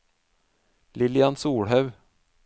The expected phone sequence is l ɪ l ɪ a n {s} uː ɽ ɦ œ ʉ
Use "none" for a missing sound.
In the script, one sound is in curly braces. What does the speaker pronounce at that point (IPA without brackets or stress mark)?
s